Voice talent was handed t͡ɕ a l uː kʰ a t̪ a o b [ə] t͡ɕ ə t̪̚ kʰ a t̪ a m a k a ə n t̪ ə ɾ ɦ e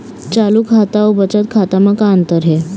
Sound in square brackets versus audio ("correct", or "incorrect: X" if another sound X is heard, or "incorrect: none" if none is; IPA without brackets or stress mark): correct